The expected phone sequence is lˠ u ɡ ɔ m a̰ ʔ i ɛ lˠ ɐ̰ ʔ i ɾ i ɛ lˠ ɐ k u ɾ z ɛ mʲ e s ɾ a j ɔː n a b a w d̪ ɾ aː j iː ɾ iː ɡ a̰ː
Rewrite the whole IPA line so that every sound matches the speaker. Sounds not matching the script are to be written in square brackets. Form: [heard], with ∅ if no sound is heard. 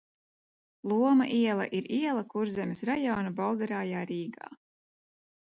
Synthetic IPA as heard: lˠ u [∅] ɔ m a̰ ʔ i ɛ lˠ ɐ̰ ʔ i ɾ i ɛ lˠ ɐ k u ɾ z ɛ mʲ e s ɾ a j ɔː n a b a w d̪ ɾ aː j [aː] ɾ iː ɡ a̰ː